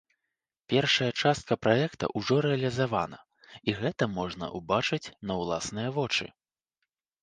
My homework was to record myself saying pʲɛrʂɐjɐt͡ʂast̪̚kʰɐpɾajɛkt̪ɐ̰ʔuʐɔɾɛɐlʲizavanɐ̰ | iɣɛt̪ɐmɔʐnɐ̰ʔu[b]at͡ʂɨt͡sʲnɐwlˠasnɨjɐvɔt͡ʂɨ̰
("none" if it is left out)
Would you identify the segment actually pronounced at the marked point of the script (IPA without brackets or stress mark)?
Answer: b